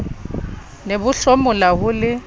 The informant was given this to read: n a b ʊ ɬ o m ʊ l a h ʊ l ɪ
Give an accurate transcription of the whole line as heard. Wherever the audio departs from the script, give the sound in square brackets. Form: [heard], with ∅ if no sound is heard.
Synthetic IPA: n [e] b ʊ ɬ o m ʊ l a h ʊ l ɪ